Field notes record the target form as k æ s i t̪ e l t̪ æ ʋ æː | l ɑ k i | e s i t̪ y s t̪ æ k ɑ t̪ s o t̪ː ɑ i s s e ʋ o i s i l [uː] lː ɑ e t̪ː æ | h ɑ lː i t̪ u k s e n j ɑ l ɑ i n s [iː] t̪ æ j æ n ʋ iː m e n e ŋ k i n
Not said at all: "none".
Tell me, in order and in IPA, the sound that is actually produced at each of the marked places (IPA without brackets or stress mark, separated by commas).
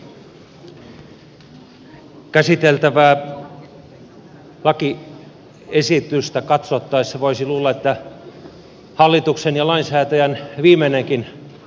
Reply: uː, æː